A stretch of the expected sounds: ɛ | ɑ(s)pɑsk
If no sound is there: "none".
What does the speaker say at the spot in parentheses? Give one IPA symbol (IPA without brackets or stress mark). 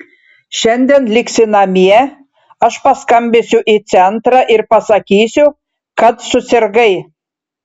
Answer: ʃ